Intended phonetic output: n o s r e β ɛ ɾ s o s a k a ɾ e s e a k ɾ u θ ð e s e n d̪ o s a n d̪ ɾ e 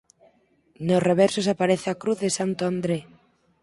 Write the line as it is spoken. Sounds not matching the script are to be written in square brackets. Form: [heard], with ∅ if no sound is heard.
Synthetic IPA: n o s r e β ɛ ɾ s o s a [p] a ɾ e [θ] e a k ɾ u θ ð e s [a] n [t̪] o [∅] a n d̪ ɾ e